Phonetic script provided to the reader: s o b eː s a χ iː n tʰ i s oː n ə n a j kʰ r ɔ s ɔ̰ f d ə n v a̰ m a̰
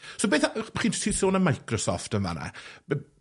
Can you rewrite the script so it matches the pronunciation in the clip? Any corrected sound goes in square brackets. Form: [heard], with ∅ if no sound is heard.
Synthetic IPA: s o b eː [θ] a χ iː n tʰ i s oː n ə [m] a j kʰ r ɔ s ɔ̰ f [t] ə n v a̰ [n] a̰